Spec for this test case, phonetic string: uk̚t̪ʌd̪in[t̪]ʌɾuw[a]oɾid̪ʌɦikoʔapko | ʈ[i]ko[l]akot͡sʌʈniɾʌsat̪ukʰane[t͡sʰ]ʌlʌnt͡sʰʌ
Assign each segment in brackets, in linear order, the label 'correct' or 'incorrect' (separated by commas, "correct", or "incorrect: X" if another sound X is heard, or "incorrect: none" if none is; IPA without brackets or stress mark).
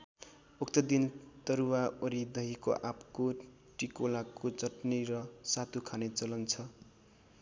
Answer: correct, correct, correct, correct, incorrect: t͡s